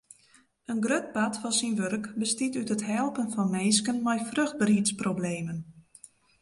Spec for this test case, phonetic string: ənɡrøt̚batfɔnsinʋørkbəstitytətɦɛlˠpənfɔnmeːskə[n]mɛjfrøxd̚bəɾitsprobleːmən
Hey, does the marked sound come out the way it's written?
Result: yes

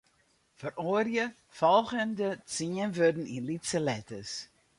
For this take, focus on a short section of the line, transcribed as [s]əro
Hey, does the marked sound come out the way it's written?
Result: no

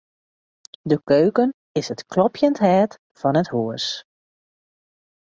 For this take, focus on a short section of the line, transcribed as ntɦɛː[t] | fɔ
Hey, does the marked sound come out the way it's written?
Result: yes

